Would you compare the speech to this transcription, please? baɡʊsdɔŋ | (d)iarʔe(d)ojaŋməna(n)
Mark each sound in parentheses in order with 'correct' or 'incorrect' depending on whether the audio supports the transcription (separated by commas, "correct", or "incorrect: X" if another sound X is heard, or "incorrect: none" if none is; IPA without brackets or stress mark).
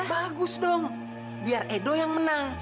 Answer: incorrect: b, correct, incorrect: ŋ